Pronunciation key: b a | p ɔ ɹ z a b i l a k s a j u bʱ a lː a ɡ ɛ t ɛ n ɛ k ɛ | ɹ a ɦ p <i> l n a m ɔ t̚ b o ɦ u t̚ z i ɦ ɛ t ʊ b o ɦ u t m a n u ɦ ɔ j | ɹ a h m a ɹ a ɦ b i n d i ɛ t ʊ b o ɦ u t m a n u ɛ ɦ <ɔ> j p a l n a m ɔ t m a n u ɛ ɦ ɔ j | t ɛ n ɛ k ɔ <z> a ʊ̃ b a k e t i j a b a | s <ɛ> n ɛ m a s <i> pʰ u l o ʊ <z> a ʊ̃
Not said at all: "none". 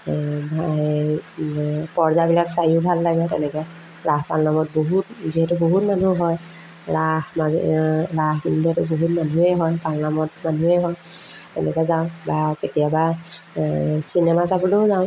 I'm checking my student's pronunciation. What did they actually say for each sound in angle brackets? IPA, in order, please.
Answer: a, ɔ, z, i, a, z

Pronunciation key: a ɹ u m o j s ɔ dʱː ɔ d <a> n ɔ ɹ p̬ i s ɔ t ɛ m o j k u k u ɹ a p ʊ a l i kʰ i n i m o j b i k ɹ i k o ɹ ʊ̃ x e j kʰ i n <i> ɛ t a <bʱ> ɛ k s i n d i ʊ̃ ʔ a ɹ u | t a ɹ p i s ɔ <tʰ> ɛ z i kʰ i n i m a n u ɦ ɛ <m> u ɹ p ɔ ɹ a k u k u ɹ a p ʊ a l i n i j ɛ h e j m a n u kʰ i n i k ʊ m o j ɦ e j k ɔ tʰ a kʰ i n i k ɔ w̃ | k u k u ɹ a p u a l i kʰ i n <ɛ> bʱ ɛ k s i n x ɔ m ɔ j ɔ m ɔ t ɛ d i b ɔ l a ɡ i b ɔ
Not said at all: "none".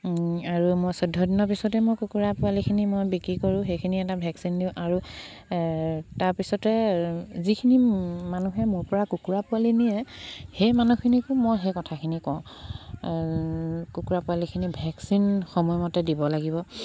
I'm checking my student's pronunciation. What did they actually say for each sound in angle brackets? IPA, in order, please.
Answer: i, i, bʱ, t, m, i

